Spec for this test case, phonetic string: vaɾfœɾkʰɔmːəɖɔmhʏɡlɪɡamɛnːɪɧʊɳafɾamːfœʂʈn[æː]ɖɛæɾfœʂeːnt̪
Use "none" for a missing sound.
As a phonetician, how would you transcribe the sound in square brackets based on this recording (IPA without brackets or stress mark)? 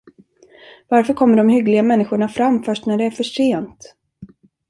æ